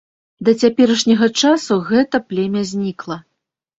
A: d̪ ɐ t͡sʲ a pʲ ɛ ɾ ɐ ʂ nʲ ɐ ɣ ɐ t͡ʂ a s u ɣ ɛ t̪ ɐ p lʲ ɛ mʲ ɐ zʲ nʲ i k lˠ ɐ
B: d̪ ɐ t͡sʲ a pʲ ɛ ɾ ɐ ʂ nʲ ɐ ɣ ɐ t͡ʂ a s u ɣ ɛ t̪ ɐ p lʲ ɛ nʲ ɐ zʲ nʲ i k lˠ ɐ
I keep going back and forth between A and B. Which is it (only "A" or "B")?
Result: A